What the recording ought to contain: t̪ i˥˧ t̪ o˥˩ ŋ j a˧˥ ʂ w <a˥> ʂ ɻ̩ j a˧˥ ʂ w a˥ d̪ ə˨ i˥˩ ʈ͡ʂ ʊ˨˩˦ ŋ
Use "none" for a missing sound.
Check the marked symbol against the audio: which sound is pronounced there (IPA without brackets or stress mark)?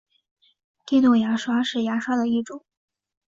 a˥